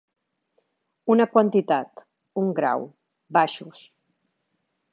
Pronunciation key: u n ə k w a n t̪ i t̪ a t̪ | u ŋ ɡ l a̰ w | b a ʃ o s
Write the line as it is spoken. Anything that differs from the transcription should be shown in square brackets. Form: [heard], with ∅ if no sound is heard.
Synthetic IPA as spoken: u n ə k w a n t̪ i t̪ a t̪ | u ŋ ɡ [ɾ] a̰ w | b a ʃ [u] s